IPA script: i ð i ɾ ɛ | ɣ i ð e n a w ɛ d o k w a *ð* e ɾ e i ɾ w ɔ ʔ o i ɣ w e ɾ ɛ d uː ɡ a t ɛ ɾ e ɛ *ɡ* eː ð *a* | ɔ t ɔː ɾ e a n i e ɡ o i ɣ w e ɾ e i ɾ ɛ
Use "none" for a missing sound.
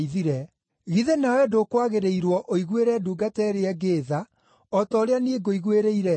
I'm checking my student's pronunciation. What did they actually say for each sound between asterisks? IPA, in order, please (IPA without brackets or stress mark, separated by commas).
ɣ, ɡ, a